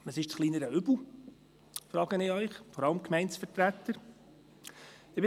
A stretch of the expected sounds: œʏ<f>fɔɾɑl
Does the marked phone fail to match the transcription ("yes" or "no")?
yes